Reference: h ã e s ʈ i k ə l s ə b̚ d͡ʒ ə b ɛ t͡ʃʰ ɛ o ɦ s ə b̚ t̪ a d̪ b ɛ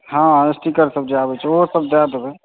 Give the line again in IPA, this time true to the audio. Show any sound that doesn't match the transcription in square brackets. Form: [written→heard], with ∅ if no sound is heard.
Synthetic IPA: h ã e s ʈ i k ə [l→ɾ] s ə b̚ d͡ʒ [ə→a] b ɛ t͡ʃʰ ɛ o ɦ s ə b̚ [t̪→d̪] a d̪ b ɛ